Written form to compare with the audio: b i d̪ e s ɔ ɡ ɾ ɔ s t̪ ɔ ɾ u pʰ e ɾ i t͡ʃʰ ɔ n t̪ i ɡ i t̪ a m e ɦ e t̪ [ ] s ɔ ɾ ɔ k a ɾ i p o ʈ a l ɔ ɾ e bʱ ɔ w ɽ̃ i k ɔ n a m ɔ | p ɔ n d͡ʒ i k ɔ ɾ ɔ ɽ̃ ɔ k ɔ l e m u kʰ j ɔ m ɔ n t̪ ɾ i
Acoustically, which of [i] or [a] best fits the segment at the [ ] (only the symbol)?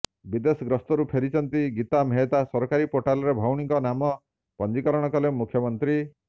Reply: a